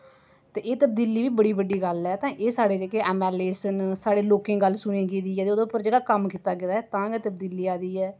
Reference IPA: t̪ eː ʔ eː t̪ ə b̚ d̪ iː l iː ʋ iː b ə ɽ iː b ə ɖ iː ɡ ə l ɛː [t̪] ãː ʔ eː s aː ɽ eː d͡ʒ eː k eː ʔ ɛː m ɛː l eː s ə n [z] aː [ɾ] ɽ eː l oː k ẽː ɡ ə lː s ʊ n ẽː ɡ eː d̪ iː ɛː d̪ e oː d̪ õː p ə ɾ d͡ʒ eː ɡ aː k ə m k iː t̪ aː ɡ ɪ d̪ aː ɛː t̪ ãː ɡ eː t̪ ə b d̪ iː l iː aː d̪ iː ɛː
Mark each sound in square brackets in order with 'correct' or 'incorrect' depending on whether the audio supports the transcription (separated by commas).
correct, incorrect, incorrect